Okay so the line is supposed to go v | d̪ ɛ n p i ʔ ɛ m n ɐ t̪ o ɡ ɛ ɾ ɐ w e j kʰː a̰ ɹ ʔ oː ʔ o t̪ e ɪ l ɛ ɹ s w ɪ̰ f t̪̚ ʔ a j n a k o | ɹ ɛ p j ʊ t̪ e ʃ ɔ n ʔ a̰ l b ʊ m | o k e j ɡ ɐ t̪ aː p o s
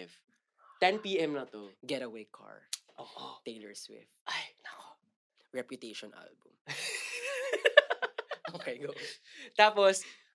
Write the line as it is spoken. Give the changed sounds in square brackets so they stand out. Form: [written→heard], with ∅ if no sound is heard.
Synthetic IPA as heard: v | [d̪→t̪] ɛ n p i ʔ ɛ m n ɐ t̪ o ɡ ɛ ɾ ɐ w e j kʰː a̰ ɹ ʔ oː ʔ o t̪ e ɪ l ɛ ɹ s w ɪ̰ f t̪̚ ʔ a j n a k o | ɹ ɛ p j ʊ t̪ e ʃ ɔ n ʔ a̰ l b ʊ m | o k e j ɡ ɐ t̪ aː p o s